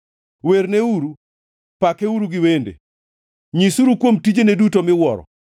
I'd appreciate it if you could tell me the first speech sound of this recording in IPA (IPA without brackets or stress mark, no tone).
w